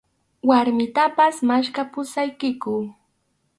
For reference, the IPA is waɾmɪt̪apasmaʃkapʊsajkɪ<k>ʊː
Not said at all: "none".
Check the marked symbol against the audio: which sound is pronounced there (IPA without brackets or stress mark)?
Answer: k